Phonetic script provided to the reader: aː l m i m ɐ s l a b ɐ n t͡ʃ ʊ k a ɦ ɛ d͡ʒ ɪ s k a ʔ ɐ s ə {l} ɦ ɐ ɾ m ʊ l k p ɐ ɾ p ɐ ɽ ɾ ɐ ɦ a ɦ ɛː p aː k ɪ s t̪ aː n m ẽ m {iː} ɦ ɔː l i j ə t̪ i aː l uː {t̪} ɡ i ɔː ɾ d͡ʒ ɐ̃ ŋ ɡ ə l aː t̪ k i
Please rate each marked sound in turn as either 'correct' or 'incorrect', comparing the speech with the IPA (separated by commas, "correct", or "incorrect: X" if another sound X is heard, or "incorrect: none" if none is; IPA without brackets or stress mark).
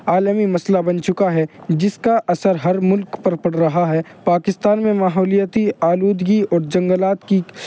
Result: incorrect: ɾ, incorrect: aː, incorrect: d̪